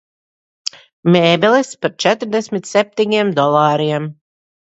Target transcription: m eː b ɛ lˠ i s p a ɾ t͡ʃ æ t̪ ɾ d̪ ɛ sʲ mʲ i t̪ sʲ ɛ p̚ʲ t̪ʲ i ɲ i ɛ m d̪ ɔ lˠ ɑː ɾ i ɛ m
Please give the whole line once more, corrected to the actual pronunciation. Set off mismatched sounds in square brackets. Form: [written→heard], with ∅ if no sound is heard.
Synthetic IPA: m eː b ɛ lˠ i s p a ɾ t͡ʃ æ t̪ ɾ d̪ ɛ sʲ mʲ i t̪ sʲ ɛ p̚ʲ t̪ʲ i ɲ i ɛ m d̪ ɔ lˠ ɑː ɾ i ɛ m

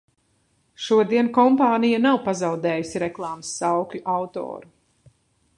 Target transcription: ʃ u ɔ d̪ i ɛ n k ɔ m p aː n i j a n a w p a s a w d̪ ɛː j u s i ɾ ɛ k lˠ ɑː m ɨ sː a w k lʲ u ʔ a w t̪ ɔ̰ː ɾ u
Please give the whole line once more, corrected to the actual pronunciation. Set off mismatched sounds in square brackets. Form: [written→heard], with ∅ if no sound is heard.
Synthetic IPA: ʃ u ɔ d̪ i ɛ n k ɔ m p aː n i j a n a w p a [s→z] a w d̪ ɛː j u s i ɾ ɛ k lˠ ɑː m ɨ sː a w k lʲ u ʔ a w t̪ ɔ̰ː ɾ u

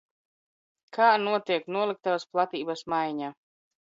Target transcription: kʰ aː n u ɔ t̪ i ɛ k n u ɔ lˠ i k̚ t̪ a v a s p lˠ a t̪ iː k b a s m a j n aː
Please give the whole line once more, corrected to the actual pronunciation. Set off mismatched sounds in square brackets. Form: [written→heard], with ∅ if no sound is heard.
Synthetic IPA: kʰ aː n u ɔ t̪ i ɛ k n u ɔ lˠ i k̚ t̪ a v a s p lˠ a t̪ iː [k→∅] b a s m a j [n→ɲ] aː

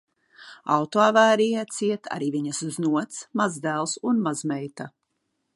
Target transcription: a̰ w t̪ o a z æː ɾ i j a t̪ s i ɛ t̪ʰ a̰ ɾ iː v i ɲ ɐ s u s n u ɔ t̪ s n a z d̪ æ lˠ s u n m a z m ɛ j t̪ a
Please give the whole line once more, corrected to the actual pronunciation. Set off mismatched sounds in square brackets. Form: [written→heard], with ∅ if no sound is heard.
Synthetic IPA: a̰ w t̪ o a [z→v] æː ɾ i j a t̪ s i ɛ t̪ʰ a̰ ɾ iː v i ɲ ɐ s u [s→z] n u ɔ t̪ s [n→m] a z d̪ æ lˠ s u n m a z m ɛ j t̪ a

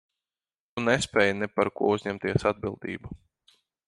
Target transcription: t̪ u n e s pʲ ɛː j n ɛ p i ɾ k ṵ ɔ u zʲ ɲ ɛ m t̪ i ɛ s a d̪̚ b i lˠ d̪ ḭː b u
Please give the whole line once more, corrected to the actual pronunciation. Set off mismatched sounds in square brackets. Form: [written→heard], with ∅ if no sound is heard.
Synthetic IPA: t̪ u n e s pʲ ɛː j n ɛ p [i→a] ɾ k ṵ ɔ u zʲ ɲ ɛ m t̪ i ɛ s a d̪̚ b i lˠ d̪ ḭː b u

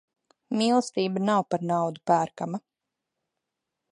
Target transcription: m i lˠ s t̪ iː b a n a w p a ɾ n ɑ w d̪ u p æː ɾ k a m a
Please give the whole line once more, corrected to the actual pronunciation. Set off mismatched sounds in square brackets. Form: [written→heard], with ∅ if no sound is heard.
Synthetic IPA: m i lˠ s t̪ iː b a n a w p a ɾ n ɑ w d̪ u p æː ɾ k a m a

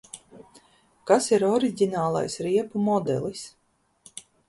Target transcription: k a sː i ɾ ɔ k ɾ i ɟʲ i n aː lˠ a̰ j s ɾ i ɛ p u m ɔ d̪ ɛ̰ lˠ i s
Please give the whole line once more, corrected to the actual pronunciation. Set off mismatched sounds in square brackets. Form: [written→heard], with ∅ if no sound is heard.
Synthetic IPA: k a [sː→s] i ɾ ɔ [k→∅] ɾ i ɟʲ i n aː lˠ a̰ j s ɾ i ɛ p u m ɔ d̪ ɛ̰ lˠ i s

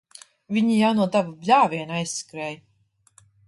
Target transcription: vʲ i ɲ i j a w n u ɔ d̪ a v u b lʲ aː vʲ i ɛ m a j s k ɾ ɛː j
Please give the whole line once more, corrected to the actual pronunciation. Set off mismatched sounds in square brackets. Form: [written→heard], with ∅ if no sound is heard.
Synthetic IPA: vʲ i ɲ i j a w n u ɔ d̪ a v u b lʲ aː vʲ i ɛ [m→n] a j s k ɾ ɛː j

